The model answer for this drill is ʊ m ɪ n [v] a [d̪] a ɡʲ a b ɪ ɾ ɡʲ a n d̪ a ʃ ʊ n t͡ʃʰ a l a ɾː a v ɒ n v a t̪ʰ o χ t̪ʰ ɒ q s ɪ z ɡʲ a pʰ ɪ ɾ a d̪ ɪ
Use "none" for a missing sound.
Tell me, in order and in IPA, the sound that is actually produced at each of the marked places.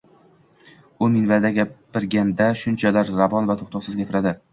v, d̪

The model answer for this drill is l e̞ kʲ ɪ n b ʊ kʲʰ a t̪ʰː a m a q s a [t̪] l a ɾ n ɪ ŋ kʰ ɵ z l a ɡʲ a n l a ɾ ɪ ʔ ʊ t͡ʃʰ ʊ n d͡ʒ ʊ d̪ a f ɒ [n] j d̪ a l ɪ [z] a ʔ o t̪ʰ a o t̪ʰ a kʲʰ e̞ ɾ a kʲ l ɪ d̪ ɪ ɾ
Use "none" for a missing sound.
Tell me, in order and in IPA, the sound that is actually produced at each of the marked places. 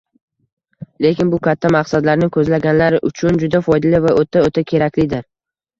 d̪, none, v

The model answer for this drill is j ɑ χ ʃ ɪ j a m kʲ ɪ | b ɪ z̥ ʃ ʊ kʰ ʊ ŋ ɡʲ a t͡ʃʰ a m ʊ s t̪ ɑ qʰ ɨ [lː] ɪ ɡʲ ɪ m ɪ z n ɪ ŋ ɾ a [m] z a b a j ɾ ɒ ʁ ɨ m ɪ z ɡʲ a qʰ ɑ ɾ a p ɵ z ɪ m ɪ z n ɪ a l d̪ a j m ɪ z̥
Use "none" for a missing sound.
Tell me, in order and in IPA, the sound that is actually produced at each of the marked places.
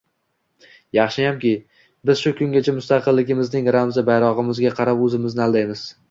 lː, m

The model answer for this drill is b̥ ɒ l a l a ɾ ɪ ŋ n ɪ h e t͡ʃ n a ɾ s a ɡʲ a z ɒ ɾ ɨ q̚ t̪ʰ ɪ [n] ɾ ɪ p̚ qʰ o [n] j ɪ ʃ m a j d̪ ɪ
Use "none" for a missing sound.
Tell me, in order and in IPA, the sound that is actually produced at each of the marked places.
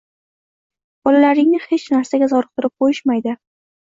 none, none

